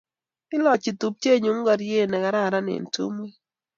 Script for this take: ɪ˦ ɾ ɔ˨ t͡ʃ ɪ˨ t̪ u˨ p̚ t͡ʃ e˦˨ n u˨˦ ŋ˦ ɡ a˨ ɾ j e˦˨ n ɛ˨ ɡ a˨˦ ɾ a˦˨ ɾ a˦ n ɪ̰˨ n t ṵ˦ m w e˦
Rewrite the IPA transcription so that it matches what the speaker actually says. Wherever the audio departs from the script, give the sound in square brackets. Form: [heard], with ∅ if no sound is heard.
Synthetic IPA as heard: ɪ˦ [l] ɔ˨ t͡ʃ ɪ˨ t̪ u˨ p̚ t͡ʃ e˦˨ [ɲ] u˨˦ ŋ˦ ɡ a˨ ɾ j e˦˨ n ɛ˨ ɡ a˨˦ ɾ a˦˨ ɾ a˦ n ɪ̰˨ n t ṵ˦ m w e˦